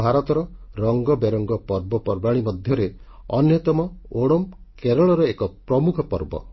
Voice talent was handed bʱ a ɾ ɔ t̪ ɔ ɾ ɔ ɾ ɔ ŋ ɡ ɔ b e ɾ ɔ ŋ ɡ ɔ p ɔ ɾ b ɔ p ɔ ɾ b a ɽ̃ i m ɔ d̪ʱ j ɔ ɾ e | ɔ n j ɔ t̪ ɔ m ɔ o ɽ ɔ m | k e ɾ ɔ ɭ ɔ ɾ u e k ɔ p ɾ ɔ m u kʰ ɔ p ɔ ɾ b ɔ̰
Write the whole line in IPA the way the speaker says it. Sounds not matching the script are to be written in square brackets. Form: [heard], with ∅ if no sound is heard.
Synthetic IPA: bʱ a ɾ ɔ t̪ ɔ ɾ ɔ ɾ ɔ ŋ ɡ ɔ b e ɾ ɔ ŋ ɡ ɔ p ɔ ɾ b ɔ p ɔ ɾ b a ɽ̃ i m ɔ d̪ʱ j ɔ ɾ e | ɔ n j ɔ t̪ ɔ m ɔ o ɽ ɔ m | k e ɾ ɔ ɭ ɔ ɾ [ɔ] e k ɔ p ɾ ɔ m u kʰ ɔ p ɔ ɾ b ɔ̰